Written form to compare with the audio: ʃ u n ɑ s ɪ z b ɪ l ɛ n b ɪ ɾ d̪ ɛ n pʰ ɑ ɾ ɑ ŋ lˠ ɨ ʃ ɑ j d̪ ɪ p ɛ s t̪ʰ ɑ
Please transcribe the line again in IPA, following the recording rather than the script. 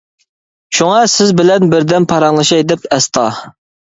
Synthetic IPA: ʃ u ŋ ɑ s ɪ z b ɪ l ɛ n b ɪ ɾ d̪ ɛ n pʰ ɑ ɾ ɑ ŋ lˠ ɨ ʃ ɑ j d̪ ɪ p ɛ s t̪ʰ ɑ